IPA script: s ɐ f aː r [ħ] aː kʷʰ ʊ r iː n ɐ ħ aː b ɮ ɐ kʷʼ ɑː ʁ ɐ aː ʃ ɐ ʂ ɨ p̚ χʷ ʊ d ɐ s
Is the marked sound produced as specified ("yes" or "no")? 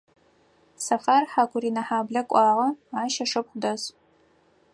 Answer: yes